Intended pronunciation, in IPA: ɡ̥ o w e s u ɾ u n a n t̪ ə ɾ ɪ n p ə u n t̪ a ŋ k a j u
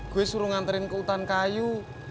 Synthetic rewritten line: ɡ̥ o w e s u ɾ u ŋ a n t̪ ə ɾ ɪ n k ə u t̪ a n k a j u